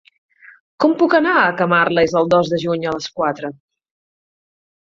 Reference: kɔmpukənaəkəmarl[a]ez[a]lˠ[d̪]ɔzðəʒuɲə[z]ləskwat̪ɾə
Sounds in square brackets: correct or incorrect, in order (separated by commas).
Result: incorrect, incorrect, correct, incorrect